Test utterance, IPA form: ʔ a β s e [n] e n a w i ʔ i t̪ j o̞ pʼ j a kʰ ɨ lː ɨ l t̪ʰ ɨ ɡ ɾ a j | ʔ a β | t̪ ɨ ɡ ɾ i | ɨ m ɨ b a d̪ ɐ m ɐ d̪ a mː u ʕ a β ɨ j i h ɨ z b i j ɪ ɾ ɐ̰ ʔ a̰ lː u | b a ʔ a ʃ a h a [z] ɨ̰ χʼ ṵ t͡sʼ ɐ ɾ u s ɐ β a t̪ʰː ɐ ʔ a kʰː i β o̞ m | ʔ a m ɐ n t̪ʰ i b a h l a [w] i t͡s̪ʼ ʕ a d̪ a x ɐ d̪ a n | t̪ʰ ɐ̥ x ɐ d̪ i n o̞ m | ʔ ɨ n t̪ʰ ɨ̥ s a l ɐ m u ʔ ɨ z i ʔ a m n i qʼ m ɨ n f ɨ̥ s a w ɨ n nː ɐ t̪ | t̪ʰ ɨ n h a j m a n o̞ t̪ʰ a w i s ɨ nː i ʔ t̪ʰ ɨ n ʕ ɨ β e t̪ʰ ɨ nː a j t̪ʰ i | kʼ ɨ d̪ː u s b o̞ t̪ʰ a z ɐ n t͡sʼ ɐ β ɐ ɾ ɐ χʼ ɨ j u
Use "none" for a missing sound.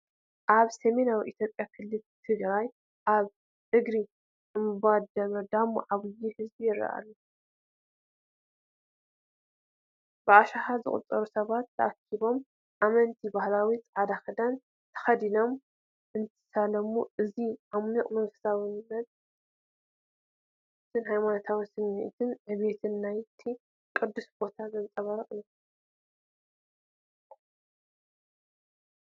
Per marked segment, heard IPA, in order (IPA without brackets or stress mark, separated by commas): m, z, w